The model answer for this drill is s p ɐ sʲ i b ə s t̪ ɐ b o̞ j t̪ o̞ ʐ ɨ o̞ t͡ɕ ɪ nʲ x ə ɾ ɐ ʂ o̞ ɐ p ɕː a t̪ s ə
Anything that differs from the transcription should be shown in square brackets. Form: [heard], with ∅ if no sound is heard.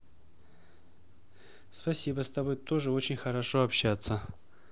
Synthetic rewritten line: s p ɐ sʲ i b ə s t̪ ɐ b o̞ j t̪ o̞ ʐ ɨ o̞ t͡ɕ ɪ nʲ x ə ɾ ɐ ʂ o̞ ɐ p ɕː a t̪ s ə